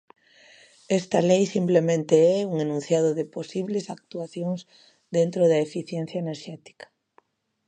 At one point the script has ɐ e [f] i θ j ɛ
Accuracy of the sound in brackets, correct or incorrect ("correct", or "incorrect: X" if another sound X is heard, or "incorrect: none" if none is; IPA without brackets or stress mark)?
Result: correct